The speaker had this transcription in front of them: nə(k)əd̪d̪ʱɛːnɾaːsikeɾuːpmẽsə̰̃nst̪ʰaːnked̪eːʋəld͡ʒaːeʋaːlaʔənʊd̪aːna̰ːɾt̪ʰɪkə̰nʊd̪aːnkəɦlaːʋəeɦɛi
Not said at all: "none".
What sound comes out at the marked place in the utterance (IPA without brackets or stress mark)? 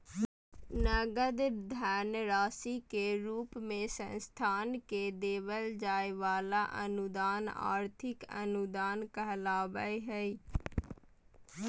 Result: ɡ